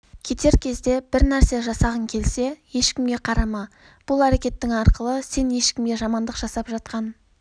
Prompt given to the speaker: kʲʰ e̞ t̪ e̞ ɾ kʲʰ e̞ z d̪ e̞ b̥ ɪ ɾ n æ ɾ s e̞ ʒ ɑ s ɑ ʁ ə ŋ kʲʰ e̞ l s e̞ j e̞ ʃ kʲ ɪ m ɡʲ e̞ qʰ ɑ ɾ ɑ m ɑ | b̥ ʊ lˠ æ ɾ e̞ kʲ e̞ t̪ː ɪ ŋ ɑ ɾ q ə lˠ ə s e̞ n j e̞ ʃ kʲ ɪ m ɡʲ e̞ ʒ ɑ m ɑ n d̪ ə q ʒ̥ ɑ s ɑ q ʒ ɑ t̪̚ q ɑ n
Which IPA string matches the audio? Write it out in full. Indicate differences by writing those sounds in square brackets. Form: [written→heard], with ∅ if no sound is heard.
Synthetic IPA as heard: kʲʰ e̞ t̪ e̞ ɾ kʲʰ e̞ z d̪ e̞ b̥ ɪ ɾ n æ ɾ s e̞ ʒ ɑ s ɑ ʁ ə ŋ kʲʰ e̞ l s e̞ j e̞ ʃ kʲ ɪ m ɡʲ e̞ qʰ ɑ ɾ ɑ m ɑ | b̥ ʊ lˠ æ ɾ e̞ kʲ e̞ t̪ː ɪ ŋ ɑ ɾ q ə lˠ ə s e̞ n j e̞ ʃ kʲ ɪ m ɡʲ e̞ ʒ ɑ m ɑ n d̪ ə q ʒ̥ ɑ s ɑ [q→p] ʒ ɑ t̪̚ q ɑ n